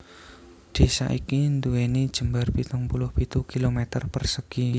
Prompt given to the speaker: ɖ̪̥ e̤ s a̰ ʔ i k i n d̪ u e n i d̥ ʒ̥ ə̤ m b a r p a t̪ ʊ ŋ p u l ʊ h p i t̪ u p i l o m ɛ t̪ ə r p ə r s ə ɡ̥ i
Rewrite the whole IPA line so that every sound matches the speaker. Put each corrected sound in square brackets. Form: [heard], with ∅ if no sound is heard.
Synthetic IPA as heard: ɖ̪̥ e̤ s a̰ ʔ i k i n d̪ u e n i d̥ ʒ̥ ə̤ m b a r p [i] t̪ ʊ ŋ p u l ʊ h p i t̪ u [k] i l o m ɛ t̪ ə r p ə r s ə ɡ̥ i

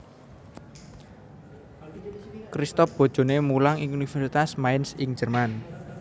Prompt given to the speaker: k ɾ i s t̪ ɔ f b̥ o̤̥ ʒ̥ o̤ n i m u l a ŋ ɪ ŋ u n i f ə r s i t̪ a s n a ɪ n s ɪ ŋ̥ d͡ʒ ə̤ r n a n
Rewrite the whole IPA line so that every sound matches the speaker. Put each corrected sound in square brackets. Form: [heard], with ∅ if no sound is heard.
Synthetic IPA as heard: k ɾ i s t̪ ɔ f b̥ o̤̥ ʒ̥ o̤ n [e] m u l a ŋ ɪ ŋ u n i f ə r s i t̪ a s [m] a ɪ n s ɪ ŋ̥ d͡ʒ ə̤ r [m] a n

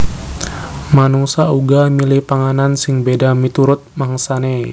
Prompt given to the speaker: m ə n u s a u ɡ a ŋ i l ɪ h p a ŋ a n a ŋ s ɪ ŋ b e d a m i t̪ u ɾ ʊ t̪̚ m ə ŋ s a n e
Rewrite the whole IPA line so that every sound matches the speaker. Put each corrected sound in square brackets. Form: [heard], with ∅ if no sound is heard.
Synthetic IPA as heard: m [a] n u s a u ɡ a [m] i l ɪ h p a ŋ a n a [n] s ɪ ŋ b e d a m i t̪ u ɾ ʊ t̪̚ m [a] ŋ s a n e

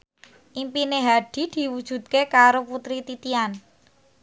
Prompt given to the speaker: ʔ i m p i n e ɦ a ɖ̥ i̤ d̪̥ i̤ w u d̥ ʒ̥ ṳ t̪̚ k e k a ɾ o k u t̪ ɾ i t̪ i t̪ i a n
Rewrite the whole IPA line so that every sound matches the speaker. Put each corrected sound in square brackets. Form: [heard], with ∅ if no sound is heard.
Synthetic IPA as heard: ʔ i m p i n e ɦ a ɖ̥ i̤ d̪̥ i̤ w u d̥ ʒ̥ ṳ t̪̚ k e k a ɾ o [p] u t̪ ɾ i t̪ i t̪ i a n

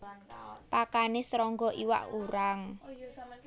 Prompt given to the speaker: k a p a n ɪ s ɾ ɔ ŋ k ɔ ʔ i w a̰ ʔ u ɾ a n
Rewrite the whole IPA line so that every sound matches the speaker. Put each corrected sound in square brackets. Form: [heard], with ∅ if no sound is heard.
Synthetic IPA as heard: [p] a [k] a n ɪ s ɾ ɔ ŋ [ɡ] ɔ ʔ i w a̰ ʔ u ɾ a [ŋ]

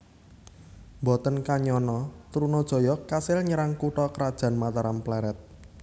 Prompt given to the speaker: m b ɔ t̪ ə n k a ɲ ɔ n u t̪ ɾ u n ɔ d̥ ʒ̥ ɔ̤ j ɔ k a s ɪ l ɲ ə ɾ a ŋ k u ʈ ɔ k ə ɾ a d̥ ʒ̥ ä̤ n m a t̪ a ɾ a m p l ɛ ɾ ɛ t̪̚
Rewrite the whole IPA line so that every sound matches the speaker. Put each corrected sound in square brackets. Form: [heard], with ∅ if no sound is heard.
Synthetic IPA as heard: m b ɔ t̪ ə n k a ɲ ɔ n [ɔ] t̪ ɾ u n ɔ d̥ ʒ̥ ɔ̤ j ɔ k a s ɪ l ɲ ə ɾ a ŋ k u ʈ ɔ k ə ɾ a d̥ ʒ̥ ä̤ n m a t̪ a ɾ a m p l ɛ ɾ ɛ t̪̚

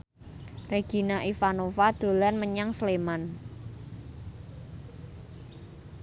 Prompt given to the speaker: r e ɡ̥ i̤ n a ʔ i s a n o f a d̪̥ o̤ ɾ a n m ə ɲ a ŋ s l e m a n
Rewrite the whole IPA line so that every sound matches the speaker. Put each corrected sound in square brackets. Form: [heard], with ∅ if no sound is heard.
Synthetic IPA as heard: r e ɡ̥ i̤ n a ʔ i [f] a n o f a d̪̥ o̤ [l] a n m ə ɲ a ŋ s l e m a n

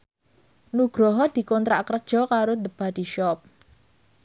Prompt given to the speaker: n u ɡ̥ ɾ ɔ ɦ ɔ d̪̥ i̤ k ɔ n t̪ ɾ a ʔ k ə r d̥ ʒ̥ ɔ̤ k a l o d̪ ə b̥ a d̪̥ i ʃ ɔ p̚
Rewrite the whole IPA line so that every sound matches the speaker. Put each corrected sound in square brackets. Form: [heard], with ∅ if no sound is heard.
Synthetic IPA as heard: n u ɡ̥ ɾ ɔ ɦ ɔ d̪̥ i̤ k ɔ n t̪ ɾ a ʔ k ə r d̥ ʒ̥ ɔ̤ k a [ɾ] o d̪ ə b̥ a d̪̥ i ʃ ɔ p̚

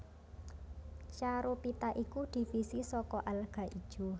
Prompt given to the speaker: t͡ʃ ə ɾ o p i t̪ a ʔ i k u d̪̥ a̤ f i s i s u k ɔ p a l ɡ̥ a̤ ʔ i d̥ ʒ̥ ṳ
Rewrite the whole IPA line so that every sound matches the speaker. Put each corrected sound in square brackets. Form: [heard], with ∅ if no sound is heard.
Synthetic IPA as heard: t͡ʃ [a] ɾ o p i t̪ a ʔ i k u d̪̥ [i̤] f i s i s [ɔ] k ɔ [ʔ] a l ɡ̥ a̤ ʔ i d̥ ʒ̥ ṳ

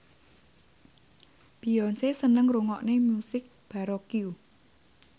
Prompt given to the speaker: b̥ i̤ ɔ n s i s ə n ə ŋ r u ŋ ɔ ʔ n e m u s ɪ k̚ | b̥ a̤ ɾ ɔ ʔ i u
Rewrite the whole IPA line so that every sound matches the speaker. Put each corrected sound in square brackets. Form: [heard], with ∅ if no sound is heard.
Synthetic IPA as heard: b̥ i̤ ɔ n s [e] s ə n ə ŋ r u ŋ ɔ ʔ n e m u s ɪ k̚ | b̥ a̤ ɾ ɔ [k] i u

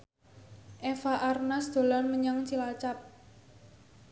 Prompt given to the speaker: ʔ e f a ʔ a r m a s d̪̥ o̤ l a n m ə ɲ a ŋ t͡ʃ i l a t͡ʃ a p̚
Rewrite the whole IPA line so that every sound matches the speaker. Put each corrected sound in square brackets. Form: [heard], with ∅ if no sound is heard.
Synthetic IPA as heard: ʔ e f a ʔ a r [n] a s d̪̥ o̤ l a n m ə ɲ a ŋ t͡ʃ i l a t͡ʃ a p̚

